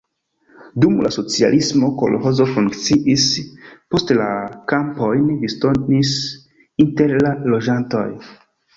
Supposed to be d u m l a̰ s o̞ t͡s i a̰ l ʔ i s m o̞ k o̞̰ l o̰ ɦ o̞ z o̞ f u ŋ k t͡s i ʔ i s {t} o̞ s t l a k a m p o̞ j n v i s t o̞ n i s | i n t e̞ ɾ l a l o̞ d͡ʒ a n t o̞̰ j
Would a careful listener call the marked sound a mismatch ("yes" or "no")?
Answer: yes